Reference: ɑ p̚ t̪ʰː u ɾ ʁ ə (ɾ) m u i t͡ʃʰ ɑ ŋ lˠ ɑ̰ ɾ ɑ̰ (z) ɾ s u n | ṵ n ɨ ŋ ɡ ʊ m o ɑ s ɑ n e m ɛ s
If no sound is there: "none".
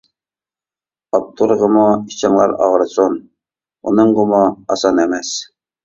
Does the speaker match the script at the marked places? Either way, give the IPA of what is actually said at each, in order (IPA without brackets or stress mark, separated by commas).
none, ʁ